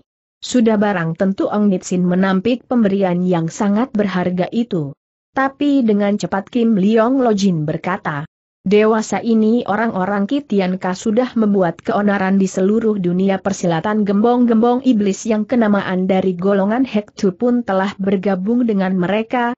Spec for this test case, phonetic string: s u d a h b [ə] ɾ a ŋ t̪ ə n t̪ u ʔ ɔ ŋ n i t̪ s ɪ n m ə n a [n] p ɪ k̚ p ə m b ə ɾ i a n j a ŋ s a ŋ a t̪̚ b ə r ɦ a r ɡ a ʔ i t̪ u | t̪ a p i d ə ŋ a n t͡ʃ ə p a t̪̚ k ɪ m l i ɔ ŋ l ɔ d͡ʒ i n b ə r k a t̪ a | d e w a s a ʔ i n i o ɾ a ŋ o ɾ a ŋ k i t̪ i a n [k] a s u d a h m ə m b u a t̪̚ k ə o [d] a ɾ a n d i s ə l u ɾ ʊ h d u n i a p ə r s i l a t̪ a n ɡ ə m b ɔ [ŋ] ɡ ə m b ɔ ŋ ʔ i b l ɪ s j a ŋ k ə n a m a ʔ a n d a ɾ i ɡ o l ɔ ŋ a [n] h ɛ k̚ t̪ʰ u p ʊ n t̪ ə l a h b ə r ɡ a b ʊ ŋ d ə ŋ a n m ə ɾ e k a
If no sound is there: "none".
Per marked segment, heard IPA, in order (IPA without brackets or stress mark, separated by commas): a, m, k, n, ŋ, n